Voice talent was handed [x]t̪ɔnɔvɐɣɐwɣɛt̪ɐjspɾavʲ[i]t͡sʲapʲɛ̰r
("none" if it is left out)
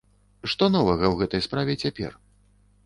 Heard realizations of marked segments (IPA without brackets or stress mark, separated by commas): ʂ, ɛ